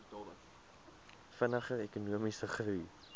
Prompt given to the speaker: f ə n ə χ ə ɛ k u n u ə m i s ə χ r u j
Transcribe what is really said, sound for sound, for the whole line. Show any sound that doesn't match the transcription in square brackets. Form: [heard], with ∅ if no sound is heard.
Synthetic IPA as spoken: f ə n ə χ ə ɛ k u n u ə m i s ə χ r u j